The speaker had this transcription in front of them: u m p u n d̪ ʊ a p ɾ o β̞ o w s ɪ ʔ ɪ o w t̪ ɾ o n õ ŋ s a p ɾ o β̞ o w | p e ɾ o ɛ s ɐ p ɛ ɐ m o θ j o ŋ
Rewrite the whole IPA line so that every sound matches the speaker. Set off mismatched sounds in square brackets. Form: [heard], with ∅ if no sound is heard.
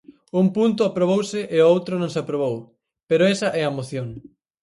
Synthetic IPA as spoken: u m p u n [t̪] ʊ a p ɾ o β̞ o w s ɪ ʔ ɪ o w t̪ ɾ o n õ ŋ s a p ɾ o β̞ o w | p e ɾ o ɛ s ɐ [ʔ] ɛ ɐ m o θ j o ŋ